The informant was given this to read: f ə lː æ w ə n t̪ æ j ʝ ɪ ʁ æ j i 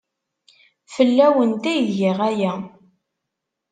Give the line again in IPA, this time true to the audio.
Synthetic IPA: f ə lː æ w ə n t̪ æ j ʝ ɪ ʁ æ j æ

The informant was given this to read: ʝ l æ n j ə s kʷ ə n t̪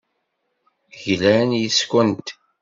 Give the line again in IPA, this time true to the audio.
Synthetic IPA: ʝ l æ n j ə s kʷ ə n t̪

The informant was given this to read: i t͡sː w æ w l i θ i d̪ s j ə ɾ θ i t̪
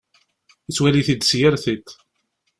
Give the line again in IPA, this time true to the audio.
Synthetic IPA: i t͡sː w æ l i θ i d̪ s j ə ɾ θ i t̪

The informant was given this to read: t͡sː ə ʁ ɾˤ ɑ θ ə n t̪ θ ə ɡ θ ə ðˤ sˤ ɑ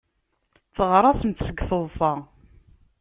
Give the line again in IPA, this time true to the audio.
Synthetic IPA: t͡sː ə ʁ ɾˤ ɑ s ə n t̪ s ə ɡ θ ə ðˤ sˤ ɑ

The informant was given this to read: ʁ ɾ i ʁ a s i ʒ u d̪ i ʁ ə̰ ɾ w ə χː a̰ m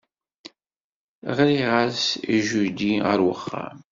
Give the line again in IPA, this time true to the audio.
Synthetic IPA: ʁ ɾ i ʁ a s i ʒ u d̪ i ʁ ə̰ ɾ w ə χː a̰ m

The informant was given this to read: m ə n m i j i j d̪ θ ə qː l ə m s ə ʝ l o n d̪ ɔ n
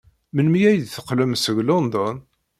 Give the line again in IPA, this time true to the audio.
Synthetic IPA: m ə n m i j æ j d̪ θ ə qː l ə m s ə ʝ l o n d̪ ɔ n

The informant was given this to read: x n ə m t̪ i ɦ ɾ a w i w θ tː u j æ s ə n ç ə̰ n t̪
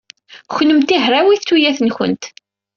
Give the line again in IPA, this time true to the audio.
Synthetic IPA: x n ə m t̪ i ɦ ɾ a w i θ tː u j æ θ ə n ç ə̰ n t̪

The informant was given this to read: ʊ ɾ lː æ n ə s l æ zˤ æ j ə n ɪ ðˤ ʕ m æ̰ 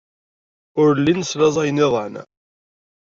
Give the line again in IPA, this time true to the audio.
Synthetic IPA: ʊ ɾ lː i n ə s l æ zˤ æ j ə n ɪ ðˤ ʕ n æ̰

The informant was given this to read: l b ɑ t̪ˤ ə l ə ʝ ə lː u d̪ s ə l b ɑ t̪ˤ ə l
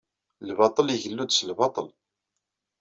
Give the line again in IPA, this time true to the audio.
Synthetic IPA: l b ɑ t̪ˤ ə l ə ʝ ə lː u d̪ s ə l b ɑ t̪ˤ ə l

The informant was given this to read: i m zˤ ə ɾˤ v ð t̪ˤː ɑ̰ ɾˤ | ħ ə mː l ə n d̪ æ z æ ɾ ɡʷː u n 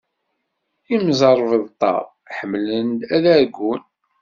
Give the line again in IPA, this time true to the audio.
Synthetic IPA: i m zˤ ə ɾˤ v ð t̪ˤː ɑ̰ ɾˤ | ħ ə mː l ə n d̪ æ ð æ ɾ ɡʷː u n

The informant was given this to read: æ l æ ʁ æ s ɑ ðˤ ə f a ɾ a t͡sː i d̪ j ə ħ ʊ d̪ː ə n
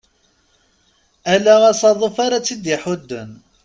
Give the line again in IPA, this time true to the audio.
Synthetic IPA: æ l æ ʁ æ s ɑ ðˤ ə f a ɾ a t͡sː i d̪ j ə ħ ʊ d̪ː ə n

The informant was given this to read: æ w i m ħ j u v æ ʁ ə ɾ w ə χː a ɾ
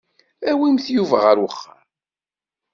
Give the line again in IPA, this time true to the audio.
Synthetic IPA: æ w i m θ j u v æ ʁ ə ɾ w ə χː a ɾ

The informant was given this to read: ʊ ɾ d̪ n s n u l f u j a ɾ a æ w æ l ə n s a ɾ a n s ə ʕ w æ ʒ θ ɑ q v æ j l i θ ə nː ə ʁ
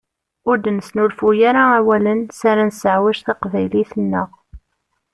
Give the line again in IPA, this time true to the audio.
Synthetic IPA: ʊ ɾ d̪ n s n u l f u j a ɾ a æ w æ l ə n s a ɾ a n s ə ʕ w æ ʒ θ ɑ q v æ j l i θ ə nː ə ʁ

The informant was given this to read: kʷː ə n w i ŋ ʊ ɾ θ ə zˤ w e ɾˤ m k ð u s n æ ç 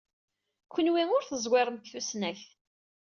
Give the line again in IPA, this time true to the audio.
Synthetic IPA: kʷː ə n w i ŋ ʊ ɾ θ ə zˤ w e ɾˤ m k θ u s n æ ç

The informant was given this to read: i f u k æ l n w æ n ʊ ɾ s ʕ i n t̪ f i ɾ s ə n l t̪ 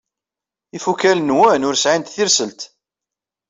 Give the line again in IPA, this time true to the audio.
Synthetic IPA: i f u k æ l n w æ n ʊ ɾ s ʕ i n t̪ θ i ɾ s ə l t̪

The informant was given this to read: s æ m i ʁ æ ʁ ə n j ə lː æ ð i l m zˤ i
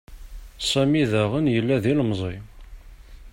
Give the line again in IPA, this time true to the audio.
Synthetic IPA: s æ m i ð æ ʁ ə n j ə lː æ ð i l m zˤ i

